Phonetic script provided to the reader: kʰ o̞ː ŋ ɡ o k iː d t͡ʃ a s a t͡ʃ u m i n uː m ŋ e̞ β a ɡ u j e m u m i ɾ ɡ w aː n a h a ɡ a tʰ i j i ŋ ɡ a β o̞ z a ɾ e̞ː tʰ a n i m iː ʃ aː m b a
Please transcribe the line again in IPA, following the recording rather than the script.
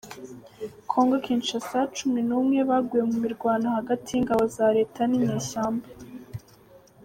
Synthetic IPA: kʰ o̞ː ŋ ɡ o k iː n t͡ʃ a s a t͡ʃ u m i n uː m ŋ e̞ β a ɡ u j e m u m i ɾ ɡ w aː n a h a ɡ a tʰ i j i ŋ ɡ a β o̞ z a ɾ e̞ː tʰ a n i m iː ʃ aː m b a